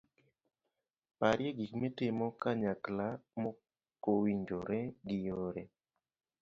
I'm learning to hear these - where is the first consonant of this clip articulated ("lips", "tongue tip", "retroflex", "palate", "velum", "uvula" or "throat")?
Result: lips